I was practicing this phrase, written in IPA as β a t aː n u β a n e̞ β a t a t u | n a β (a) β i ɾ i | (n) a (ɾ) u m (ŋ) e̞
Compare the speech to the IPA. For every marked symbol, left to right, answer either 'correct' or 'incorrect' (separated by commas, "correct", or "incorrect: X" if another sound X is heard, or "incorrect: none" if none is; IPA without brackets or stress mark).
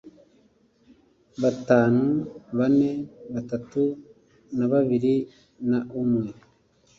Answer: correct, correct, incorrect: none, correct